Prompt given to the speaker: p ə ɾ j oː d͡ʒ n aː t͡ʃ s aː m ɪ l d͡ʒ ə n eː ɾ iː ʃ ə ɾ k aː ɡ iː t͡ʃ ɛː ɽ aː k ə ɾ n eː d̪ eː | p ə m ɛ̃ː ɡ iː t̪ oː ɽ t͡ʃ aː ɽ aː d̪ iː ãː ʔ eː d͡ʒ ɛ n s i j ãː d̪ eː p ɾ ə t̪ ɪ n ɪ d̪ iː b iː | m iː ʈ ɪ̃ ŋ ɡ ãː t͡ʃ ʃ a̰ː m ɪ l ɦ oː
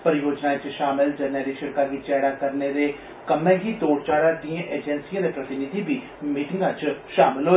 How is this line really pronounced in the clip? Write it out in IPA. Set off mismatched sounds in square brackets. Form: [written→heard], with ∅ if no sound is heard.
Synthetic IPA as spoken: p ə ɾ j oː d͡ʒ n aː t͡ʃ [s→ʃ] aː m ɪ l d͡ʒ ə n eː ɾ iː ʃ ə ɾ k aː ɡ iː t͡ʃ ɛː ɽ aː k ə ɾ n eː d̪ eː | [p→k] ə m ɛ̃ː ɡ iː t̪ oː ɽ t͡ʃ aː ɽ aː d̪ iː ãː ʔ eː d͡ʒ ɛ n s i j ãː d̪ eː p ɾ ə t̪ ɪ n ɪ d̪ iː b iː | m iː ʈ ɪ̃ ŋ ɡ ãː t͡ʃ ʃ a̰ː m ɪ l ɦ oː